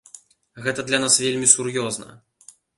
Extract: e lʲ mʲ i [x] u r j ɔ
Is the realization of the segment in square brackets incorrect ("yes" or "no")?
yes